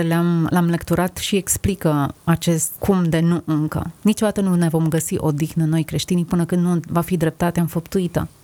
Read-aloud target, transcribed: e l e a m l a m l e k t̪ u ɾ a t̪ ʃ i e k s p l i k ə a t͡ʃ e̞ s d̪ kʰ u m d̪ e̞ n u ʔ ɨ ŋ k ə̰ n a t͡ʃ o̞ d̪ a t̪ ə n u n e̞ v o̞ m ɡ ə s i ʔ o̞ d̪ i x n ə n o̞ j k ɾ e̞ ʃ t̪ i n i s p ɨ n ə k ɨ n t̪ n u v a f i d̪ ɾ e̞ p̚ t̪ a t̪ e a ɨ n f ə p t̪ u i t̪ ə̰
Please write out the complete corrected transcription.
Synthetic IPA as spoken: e l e a m l a m l e k t̪ u ɾ a t̪ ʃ i e k s p l i k ə a t͡ʃ e̞ s t̪ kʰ u m d̪ e̞ n u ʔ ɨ ŋ k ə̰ n i t͡ʃ o̞ d̪ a t̪ ə n u n e̞ v o̞ m ɡ ə s i ʔ o̞ d̪ i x n ə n o̞ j k ɾ e̞ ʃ t̪ i n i p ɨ n ə k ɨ n d̪ n u v a f i d̪ ɾ e̞ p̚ t̪ a t̪ e a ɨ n f ə p t̪ u i t̪ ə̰